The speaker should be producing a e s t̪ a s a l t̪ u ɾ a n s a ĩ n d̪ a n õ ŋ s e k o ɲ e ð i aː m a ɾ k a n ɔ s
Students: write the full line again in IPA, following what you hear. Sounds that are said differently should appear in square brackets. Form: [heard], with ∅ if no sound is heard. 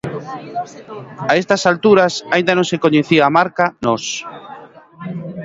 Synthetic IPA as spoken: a e s t̪ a s a l t̪ u ɾ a [∅] s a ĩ n d̪ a n õ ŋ s e k o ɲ e [θ] i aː m a ɾ k a n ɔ s